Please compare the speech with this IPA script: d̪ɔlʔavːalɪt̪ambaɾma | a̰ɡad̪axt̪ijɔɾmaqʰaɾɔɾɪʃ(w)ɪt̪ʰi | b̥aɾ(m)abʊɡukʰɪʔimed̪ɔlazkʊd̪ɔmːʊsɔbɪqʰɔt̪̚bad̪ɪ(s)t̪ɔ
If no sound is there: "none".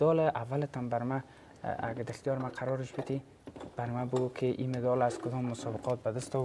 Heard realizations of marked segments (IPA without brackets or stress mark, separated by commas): b, m, s